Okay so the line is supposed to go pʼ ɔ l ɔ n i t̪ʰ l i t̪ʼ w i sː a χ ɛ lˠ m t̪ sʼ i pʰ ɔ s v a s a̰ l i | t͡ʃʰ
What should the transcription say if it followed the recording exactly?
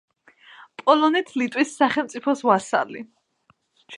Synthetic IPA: pʼ ɔ l ɔ n i t̪ʰ l i t̪ʼ w i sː a χ ɛ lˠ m t̪ sʼ i pʰ ɔ s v a s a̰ l i | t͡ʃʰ